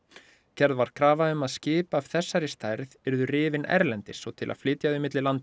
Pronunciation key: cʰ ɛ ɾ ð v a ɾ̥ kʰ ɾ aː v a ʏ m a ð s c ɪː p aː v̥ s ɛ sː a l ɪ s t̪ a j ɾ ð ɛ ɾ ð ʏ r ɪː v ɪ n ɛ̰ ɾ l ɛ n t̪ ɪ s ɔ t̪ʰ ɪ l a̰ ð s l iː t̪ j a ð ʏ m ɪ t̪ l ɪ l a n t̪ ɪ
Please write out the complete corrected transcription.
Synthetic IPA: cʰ ɛ ɾ ð v a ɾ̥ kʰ ɾ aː v a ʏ m a ð s c ɪː p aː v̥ θ ɛ sː a ɾ ɪ s t̪ a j ɾ ð ɛ ɾ ð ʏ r ɪː v ɪ n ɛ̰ ɾ l ɛ n t̪ ɪ s ɔ t̪ʰ ɪ l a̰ ð f l ɪː t̪ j a ð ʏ m ɪ t̪ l ɪ l a n t̪ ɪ